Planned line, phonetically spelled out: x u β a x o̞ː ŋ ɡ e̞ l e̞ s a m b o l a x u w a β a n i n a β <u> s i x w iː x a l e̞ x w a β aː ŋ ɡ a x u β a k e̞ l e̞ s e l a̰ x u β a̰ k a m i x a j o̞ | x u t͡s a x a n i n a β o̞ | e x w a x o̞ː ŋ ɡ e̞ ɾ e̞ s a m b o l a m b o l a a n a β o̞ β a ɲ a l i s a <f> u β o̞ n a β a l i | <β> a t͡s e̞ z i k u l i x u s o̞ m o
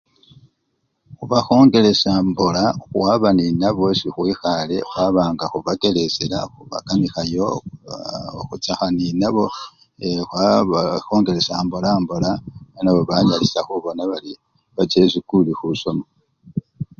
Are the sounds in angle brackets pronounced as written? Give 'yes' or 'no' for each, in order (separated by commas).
no, no, yes